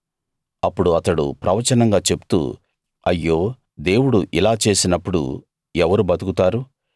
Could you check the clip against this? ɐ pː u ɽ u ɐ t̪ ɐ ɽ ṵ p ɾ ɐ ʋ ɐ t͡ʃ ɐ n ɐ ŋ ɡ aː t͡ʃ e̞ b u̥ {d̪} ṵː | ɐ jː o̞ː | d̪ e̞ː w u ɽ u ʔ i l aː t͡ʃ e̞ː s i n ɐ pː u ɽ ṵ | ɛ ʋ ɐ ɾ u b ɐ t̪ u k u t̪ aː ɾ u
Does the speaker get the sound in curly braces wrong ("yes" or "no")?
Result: yes